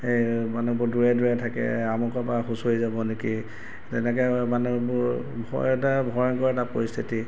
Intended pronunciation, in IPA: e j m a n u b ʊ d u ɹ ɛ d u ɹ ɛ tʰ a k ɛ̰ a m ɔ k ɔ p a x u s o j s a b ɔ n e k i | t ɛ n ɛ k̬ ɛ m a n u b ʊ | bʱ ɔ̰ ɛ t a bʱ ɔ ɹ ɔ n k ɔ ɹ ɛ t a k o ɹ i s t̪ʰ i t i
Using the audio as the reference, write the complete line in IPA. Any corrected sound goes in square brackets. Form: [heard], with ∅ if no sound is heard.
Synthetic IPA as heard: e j m a n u b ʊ d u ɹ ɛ d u ɹ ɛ tʰ a k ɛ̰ a m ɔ k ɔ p a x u s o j [z] a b ɔ n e k i | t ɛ n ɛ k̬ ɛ m a n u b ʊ | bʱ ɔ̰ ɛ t a bʱ ɔ ɹ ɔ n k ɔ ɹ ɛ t a [p] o ɹ i s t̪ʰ i t i